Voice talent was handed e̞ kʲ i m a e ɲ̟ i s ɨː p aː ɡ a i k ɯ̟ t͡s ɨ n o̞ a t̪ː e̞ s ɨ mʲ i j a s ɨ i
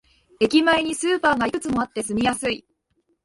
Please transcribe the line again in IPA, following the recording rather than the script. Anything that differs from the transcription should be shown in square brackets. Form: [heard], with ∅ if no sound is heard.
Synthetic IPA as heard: e̞ kʲ i m a e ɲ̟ i s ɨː p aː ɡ a i k ɯ̟ t͡s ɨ [m] o̞ a t̪ː e̞ s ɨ mʲ i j a s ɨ i